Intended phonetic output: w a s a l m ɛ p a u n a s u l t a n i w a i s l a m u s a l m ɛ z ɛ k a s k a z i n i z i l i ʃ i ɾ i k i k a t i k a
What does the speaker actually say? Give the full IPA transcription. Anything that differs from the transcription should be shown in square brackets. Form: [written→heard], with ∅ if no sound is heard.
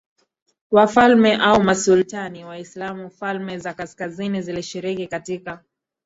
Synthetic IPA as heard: w a [s→f] a l m ɛ [p→ʔ] a u [n→m] a s u l t a n i w a i s l a m u [s→f] a l m ɛ z [ɛ→a] k a s k a z i n i z i l i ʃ i ɾ i k i k a t i k a